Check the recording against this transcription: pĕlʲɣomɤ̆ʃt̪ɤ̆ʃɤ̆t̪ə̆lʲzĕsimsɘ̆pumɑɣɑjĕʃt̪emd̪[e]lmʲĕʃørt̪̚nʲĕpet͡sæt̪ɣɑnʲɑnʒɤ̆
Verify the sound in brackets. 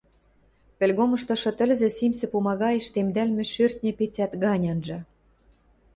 incorrect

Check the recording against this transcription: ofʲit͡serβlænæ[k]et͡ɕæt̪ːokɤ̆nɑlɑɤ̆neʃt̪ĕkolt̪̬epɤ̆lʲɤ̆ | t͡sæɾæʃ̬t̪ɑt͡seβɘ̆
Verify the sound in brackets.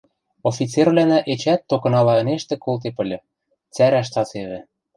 incorrect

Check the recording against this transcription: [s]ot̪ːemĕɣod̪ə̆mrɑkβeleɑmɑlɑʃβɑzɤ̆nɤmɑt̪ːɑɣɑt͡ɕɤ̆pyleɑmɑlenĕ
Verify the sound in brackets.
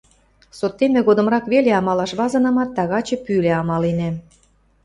correct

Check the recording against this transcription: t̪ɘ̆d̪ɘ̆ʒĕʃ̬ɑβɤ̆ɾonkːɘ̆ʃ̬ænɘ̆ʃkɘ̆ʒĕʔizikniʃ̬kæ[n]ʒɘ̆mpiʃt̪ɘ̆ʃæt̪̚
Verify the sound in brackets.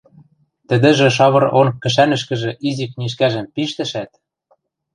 incorrect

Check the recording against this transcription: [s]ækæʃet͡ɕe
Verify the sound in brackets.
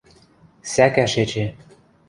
correct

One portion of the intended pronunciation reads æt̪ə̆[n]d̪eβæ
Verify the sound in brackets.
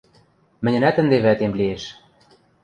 correct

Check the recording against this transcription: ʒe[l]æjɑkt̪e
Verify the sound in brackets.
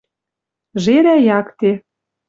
incorrect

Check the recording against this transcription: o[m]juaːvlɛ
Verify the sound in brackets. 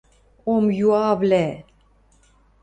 correct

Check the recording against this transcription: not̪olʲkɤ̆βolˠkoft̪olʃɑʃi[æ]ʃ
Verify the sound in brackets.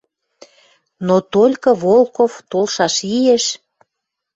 incorrect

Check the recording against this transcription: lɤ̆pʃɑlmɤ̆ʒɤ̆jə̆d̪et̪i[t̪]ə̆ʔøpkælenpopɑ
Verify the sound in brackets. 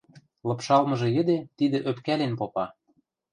incorrect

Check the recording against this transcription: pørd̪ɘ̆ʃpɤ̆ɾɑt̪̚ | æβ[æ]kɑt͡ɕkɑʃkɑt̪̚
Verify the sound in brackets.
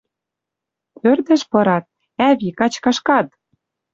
incorrect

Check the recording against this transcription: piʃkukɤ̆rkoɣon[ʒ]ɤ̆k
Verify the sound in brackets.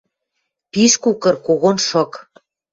incorrect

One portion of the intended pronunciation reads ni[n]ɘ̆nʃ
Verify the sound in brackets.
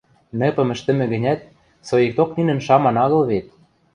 correct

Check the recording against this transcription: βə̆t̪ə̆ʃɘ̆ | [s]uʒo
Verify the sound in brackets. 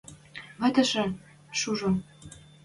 incorrect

